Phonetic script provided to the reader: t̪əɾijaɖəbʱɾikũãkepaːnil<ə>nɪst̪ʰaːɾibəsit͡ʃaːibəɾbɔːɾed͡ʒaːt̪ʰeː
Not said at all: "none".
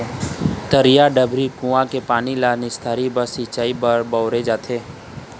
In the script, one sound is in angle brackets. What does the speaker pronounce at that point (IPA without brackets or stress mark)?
a